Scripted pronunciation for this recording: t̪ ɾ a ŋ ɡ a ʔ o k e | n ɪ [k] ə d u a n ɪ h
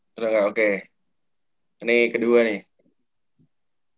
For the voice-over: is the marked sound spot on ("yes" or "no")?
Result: yes